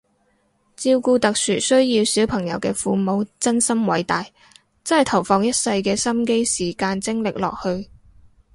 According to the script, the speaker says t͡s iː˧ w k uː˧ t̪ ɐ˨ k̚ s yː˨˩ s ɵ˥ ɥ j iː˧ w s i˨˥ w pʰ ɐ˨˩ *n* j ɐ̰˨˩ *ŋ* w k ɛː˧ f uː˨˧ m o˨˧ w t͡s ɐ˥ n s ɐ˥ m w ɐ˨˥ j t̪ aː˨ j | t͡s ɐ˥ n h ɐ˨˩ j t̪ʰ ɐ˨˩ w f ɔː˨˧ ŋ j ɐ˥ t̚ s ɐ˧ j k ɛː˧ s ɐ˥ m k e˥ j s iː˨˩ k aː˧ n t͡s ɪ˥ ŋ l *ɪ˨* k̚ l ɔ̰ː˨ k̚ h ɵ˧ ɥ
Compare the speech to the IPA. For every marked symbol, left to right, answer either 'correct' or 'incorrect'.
incorrect: ŋ, incorrect: none, correct

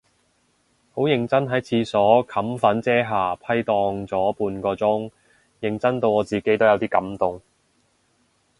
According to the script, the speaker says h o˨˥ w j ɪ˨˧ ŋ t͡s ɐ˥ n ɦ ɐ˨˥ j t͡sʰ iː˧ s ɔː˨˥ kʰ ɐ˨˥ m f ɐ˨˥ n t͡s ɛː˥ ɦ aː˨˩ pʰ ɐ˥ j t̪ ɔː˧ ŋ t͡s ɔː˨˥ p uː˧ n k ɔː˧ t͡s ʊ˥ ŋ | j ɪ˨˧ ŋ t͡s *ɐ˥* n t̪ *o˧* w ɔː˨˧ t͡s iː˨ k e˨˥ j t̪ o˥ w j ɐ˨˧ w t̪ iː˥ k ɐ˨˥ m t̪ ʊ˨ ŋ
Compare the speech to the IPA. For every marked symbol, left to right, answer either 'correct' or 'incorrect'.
correct, correct

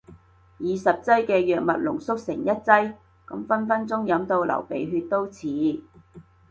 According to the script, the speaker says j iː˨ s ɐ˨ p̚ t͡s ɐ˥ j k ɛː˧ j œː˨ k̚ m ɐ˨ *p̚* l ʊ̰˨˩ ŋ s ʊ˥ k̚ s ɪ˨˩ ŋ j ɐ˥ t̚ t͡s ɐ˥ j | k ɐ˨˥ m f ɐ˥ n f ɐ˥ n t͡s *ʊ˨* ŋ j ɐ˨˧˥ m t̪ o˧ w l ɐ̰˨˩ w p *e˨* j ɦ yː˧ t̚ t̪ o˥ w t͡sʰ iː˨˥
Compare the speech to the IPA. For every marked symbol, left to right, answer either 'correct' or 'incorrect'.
incorrect: t̚, incorrect: ʊ˥, correct

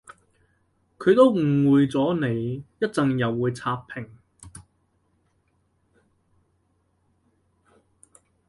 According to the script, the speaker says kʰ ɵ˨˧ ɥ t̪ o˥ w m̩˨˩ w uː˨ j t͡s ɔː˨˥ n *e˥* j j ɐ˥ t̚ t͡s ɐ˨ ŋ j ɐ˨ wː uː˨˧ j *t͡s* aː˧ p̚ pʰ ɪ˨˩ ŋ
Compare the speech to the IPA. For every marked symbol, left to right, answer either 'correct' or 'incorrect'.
incorrect: e˨˧, incorrect: t͡sʰ

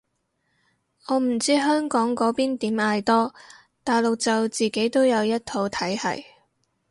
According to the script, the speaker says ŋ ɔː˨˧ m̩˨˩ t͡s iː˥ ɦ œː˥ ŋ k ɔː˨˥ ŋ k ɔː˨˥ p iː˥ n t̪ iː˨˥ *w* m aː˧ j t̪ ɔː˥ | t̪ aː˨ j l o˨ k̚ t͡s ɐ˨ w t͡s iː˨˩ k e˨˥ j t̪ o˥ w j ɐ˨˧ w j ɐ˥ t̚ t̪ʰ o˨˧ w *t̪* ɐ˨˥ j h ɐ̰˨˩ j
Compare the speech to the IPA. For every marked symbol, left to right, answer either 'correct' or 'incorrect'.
incorrect: none, incorrect: t̪ʰ

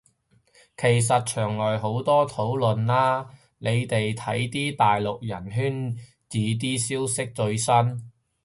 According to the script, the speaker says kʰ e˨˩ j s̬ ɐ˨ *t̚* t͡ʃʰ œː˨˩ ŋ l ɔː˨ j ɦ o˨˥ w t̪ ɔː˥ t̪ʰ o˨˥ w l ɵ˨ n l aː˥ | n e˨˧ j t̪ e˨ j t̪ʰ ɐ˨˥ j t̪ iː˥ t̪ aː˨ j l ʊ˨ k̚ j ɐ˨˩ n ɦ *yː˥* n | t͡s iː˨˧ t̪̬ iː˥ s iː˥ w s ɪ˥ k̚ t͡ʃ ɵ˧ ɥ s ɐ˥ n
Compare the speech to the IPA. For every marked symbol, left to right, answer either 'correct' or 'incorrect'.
correct, correct

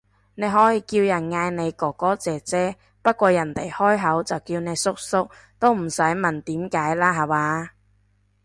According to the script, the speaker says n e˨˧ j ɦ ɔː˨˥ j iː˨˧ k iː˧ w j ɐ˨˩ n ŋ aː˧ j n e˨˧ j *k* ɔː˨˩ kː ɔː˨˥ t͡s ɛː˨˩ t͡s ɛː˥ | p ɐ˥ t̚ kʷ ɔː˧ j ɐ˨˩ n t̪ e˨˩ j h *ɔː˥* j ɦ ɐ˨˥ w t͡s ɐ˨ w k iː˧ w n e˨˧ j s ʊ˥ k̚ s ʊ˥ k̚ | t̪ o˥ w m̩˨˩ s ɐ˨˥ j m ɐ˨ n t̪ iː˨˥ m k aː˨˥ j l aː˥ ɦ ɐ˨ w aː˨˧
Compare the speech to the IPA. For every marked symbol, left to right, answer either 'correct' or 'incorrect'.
correct, correct

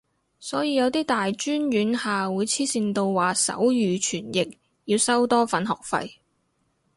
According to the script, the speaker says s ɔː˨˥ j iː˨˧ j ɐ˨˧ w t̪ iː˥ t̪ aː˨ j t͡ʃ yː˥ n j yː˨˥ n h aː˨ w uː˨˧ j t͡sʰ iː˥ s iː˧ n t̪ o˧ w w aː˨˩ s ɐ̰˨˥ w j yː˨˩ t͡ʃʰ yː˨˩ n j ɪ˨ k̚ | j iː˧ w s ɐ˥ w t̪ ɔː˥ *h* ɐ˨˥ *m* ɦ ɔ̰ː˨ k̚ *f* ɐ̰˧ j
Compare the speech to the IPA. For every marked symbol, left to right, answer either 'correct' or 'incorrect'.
incorrect: f, incorrect: n, correct

